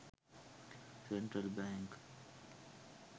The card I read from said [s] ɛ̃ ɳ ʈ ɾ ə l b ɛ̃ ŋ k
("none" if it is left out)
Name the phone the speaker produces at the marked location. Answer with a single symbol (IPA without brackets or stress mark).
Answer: s